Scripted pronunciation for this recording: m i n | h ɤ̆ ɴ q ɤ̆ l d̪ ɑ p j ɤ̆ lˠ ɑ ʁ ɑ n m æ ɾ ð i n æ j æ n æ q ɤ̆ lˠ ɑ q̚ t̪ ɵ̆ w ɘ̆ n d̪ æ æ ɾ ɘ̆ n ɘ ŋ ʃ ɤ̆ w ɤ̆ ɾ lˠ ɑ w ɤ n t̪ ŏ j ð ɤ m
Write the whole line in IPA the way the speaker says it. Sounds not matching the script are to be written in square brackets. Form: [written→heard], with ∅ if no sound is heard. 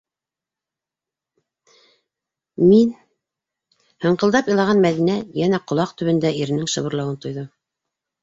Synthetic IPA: m i n | h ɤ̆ ɴ q ɤ̆ l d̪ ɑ p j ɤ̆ lˠ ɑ ʁ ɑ n m æ [ɾ→∅] ð i n æ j æ n æ q [ɤ̆→ŏ] lˠ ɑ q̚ t̪ ɵ̆ [w→β] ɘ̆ n d̪ æ [æ→i] ɾ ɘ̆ n ɘ ŋ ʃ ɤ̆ [w→β] ɤ̆ ɾ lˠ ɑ w ɤ n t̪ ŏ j ð ɤ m